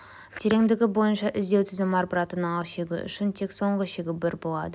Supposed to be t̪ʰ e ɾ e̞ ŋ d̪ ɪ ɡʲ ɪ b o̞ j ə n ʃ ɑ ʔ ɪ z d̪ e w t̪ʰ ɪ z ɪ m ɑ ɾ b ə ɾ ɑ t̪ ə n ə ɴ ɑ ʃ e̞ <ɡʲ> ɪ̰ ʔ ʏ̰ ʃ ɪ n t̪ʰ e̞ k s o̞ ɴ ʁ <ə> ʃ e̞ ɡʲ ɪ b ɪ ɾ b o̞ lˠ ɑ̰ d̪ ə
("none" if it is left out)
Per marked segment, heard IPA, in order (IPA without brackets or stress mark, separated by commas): ɡʲ, ə